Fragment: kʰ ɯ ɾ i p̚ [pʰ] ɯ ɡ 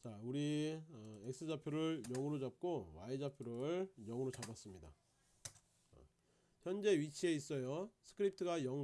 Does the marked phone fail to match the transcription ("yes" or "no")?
yes